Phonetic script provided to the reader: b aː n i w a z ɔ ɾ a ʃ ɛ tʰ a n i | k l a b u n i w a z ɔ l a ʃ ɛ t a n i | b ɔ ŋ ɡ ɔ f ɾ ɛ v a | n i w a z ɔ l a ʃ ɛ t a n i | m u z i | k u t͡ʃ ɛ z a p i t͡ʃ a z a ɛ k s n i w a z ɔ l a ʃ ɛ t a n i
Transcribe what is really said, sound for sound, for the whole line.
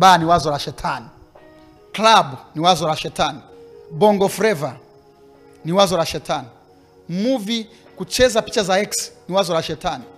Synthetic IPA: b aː n i w a z ɔ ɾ a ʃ ɛ tʰ a n i | k l a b u n i w a z ɔ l a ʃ ɛ t a n i | b ɔ ŋ ɡ ɔ f ɾ ɛ v a | n i w a z ɔ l a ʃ ɛ t a n i | m u v i | k u t͡ʃ ɛ z a p i t͡ʃ a z a ɛ k s n i w a z ɔ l a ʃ ɛ t a n i